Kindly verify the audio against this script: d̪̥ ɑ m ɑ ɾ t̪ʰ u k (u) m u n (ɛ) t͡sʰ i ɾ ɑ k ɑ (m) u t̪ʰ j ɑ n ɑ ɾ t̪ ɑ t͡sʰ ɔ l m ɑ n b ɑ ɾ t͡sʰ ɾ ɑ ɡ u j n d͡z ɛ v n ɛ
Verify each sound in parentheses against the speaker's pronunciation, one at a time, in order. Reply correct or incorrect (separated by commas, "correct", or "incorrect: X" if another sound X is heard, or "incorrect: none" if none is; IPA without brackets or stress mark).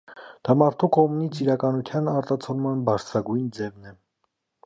incorrect: ɔ, incorrect: i, incorrect: n